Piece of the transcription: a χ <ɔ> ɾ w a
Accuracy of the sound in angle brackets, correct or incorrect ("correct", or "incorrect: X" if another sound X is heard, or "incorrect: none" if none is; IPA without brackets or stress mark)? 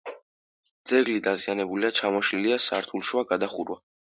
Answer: incorrect: u